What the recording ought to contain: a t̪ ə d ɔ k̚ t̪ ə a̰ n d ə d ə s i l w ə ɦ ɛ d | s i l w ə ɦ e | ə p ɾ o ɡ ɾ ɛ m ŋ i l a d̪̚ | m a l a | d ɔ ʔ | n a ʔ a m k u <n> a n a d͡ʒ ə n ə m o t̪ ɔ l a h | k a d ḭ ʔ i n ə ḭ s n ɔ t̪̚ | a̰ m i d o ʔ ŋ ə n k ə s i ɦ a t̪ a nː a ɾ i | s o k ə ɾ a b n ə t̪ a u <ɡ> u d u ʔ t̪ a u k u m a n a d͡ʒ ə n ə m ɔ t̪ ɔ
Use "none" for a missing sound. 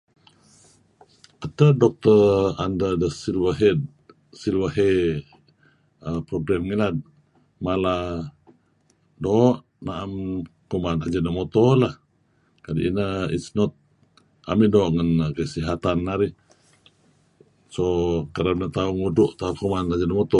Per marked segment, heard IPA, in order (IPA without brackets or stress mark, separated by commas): m, ŋ